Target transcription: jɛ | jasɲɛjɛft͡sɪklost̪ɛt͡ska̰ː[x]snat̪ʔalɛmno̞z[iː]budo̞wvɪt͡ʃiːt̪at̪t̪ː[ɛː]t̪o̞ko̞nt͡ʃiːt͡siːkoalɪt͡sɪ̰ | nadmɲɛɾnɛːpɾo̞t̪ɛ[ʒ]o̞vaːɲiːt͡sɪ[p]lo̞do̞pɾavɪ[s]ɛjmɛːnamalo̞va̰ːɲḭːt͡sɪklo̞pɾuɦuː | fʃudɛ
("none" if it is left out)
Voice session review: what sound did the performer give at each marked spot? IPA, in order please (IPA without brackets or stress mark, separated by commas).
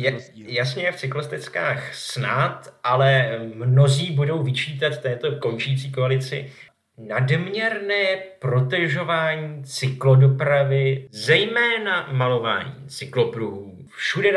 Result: x, iː, ɛː, ʒ, k, z